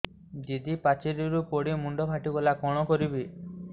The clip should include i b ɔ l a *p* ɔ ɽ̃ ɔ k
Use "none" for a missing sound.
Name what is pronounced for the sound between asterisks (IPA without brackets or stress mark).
k